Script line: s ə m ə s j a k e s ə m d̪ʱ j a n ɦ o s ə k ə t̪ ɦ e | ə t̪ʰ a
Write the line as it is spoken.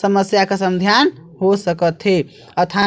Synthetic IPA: s ə m ə s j a k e s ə m d̪ʱ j a n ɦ o s ə k ə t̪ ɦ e | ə t̪ʰ a